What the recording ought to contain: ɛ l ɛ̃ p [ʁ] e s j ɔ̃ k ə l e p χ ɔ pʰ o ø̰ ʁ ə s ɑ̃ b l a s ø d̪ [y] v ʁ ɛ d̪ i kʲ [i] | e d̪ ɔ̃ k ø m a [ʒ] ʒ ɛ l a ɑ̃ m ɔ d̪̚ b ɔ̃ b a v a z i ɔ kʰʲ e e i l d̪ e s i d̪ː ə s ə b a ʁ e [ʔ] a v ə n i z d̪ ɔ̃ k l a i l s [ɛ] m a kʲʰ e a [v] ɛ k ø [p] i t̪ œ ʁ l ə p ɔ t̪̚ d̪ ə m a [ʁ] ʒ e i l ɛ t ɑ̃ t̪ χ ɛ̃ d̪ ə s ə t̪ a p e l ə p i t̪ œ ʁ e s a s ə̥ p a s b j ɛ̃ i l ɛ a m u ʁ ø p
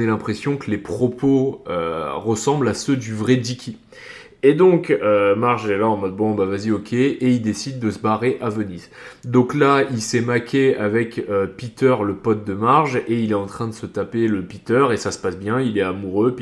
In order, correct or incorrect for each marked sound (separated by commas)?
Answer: incorrect, correct, correct, incorrect, correct, correct, correct, correct, correct